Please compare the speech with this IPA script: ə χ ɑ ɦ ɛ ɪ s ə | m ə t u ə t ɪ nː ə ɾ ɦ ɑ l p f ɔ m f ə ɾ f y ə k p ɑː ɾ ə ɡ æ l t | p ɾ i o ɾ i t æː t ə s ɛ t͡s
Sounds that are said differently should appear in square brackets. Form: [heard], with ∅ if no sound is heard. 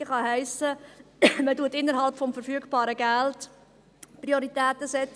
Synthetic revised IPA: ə χ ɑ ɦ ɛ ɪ s ə | m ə t u ə t ɪ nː ə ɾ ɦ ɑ l p f ɔ m f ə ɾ f y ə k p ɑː ɾ ə ɡ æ l t | p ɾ i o ɾ i t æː t ə s ɛ t͡s